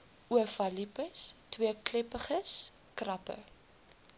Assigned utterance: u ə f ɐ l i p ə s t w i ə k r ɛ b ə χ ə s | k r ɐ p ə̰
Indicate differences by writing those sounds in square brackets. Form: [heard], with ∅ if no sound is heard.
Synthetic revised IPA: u ə f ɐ l i p ə s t w i ə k [l] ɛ [p] ə χ ə s | k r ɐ p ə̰